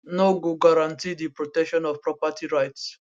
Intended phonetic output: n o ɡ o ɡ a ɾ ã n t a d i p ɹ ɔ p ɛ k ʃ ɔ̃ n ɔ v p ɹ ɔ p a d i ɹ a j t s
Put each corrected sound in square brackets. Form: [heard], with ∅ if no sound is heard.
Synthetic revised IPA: n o ɡ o ɡ a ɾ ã n t [i] d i p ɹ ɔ [t] ɛ k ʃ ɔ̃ n ɔ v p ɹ ɔ p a [t] i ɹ a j t s